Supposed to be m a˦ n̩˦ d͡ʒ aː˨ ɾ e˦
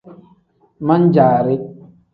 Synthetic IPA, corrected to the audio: m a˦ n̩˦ d͡ʒ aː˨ ɾ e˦